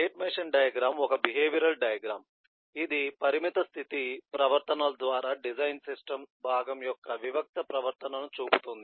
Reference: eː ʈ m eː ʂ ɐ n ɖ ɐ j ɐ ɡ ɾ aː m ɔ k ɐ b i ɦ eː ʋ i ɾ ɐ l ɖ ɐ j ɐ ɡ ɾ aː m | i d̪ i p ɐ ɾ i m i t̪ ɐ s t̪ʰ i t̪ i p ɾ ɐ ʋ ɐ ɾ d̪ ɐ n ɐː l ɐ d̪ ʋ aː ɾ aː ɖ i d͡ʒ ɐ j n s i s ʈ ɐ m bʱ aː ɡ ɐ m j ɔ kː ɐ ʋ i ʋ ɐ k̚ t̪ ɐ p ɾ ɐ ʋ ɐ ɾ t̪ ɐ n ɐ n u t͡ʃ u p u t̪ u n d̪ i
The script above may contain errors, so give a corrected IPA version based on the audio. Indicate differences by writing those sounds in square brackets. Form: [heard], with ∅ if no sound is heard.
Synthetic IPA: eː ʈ m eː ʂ ɐ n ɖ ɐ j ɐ ɡ ɾ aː m ɔ k ɐ b i ɦ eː ʋ i ɾ ɐ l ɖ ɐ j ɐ ɡ ɾ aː m | i d̪ i p ɐ ɾ i m i t̪ ɐ s t̪ʰ i t̪ i p ɾ ɐ ʋ ɐ ɾ [t̪] ɐ n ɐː l ɐ d̪ ʋ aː ɾ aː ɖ i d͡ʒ ɐ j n s i s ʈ ɐ m bʱ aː ɡ ɐ m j ɔ kː ɐ ʋ i ʋ ɐ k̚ t̪ ɐ p ɾ ɐ ʋ ɐ ɾ t̪ ɐ n ɐ n u t͡ʃ [uː] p u t̪ u n d̪ i